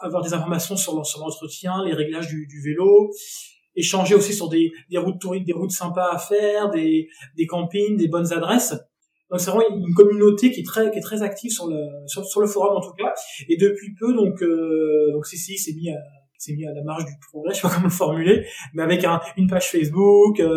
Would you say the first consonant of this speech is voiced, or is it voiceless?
voiced